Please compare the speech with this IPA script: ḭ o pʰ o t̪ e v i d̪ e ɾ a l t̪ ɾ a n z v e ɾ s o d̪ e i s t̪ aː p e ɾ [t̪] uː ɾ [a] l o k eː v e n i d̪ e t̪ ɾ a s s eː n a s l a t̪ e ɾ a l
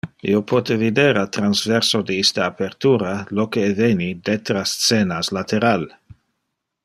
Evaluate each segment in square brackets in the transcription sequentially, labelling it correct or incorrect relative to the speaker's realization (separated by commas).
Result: correct, correct